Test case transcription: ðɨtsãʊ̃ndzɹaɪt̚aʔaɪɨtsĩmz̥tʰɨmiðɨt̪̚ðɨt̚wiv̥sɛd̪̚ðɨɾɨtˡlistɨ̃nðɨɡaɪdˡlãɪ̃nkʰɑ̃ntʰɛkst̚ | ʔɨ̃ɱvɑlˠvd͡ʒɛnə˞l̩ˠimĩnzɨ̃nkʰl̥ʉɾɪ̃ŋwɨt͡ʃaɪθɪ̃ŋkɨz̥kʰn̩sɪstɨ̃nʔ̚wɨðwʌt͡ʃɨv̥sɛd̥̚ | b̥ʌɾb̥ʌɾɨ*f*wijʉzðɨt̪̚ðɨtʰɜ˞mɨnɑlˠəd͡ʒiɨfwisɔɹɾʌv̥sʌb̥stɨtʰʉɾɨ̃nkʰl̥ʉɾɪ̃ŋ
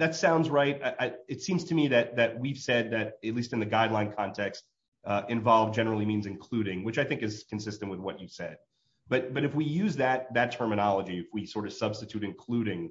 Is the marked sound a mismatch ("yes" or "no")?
no